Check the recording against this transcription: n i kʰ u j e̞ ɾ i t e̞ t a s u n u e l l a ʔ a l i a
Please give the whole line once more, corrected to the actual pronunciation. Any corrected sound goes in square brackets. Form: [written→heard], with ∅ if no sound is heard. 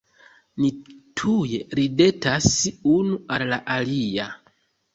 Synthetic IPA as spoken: n i [kʰ→tʰ] u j e̞ ɾ i [t→d] e̞ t a s u n u [e→a] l l a ʔ a l i a